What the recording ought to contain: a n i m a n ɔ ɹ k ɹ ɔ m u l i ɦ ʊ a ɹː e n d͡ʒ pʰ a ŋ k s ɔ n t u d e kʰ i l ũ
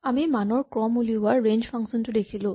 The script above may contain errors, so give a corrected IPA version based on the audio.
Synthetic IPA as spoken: a m i m a n ɔ ɹ k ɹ ɔ m u l i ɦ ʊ a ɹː e n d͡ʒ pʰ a ŋ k s ɔ n t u d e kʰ i l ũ

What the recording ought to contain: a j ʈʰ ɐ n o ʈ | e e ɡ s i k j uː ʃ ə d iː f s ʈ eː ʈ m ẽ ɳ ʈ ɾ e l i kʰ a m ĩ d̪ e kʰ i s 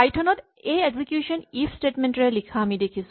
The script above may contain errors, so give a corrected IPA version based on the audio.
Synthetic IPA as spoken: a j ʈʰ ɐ n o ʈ | e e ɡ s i k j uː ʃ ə n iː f s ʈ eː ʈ m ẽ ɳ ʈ ɾ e l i kʰ a m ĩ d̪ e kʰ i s

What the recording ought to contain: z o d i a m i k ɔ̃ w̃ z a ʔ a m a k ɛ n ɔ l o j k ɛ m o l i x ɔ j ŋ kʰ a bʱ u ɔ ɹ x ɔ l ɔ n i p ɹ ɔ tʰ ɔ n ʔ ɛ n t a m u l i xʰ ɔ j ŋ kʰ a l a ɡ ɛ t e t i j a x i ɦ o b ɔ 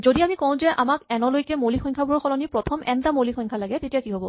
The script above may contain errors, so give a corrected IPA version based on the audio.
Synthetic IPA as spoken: z o d i a m i k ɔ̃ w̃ z ɛ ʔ a m a k ɛ n ɔ l o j k ɛ m o l i x ɔ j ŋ kʰ a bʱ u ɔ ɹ x ɔ l ɔ n i p ɹ ɔ tʰ ɔ m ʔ ɛ n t a m o l i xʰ ɔ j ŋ kʰ a l a ɡ ɛ t e t i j a k i ɦ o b ɔ

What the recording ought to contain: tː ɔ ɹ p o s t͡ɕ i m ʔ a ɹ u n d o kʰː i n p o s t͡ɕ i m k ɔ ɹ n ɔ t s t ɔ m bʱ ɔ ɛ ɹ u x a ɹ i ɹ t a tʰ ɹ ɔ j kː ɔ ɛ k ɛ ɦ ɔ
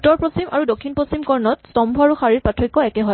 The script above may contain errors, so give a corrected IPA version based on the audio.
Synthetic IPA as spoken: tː ɔ ɹ p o s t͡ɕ i m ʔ a ɹ u d o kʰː i n p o s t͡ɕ i m k ɔ ɹ n ɔ t s t ɔ m bʱ ɔ a ɹ u x a ɹ i ɹ p a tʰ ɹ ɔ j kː ɔ ɛ k ɛ ɦ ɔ

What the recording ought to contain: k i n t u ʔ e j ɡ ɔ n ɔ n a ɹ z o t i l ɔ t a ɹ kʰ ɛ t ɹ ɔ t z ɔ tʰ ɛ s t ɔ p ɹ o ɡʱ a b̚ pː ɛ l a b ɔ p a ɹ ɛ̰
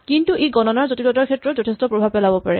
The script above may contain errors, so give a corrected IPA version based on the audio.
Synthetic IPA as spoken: k i n t u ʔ e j ɡ ɔ n ɔ n a ɹ z o t i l ɔ t a ɹ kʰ ɛ t ɹ ɔ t z ɔ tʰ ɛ s t ɔ p ɹ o bʱ a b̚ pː ɛ l a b ɔ p a ɹ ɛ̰

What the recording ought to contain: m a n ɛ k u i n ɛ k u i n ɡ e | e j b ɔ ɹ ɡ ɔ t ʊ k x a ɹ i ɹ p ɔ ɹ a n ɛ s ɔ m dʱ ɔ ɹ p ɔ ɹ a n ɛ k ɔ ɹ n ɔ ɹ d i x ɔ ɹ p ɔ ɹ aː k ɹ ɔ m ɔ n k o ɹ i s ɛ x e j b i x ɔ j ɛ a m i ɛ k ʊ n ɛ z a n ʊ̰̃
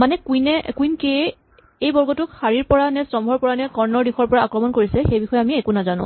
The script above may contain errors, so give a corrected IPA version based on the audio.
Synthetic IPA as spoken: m a n ɛ k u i n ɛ k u i n k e | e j b ɔ ɹ ɡ ɔ t ʊ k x a ɹ i ɹ p ɔ ɹ a n ɛ s ɔ m bʱ ɔ ɹ p ɔ ɹ a n ɛ k ɔ ɹ n ɔ ɹ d i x ɔ ɹ p ɔ ɹ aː k ɹ ɔ m ɔ n k o ɹ i s ɛ x e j b i x ɔ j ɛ a m i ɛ k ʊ n a z a n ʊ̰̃

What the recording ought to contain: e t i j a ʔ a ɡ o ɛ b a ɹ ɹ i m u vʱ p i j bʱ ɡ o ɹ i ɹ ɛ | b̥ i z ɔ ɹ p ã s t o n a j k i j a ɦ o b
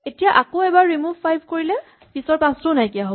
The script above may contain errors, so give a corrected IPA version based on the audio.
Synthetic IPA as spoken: e t i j a ʔ a k o ɛ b a ɹ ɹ i m u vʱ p a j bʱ k o ɹ i l ɛ | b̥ i s ɔ ɹ p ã s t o n a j k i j a ɦ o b

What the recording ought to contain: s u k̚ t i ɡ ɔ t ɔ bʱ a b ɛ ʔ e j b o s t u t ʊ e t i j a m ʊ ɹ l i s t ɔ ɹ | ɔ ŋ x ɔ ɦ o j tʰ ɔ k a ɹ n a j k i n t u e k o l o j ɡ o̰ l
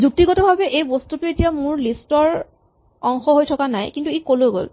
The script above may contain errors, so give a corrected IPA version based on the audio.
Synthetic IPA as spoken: z u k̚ t i ɡ ɔ t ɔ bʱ a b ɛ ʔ e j b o s t u t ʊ e t i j a m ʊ ɹ l i s t ɔ ɹ | ɔ ŋ x ɔ ɦ o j tʰ ɔ k a n a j k i n t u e k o l o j ɡ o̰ l

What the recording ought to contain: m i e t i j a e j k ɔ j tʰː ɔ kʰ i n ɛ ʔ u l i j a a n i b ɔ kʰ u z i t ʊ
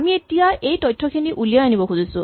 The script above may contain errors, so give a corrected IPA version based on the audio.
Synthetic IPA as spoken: m i e t i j a e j t ɔ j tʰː ɔ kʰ i n i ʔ u l i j a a n i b ɔ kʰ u z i s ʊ

